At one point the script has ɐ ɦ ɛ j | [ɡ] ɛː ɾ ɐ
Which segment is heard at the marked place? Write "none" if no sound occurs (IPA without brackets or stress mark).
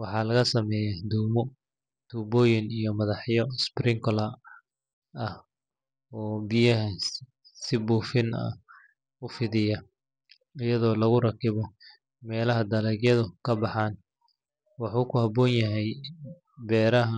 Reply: b